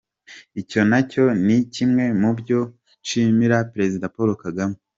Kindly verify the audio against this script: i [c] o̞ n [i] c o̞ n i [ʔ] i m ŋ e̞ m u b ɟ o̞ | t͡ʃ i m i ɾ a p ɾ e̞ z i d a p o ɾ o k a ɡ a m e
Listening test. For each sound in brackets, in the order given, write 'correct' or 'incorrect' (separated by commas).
correct, incorrect, incorrect